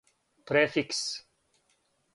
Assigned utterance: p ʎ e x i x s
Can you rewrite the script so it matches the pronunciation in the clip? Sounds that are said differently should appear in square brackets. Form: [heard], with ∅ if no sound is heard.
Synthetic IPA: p [ɾ] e [f] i [k] s